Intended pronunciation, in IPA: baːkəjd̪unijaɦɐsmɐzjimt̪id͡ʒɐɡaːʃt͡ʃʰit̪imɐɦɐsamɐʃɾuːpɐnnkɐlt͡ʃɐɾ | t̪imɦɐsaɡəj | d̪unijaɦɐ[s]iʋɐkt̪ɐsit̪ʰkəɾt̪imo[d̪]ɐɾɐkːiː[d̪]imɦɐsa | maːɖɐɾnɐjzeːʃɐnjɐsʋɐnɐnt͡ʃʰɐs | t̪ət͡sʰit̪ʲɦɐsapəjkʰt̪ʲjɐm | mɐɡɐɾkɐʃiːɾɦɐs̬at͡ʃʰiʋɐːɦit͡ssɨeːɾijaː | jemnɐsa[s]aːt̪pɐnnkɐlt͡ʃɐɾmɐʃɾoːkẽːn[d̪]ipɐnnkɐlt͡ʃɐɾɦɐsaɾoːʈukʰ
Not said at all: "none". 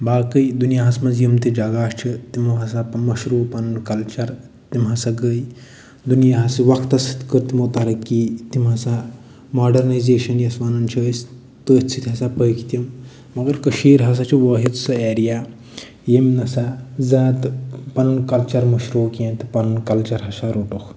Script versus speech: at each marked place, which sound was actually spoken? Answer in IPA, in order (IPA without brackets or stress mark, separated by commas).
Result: s, t̪, t̪, z, t̪